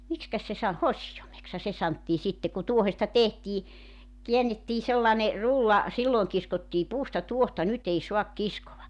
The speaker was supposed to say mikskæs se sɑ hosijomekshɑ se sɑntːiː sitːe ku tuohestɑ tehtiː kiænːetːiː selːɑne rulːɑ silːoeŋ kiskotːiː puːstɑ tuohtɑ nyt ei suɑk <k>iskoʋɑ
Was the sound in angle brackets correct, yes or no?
yes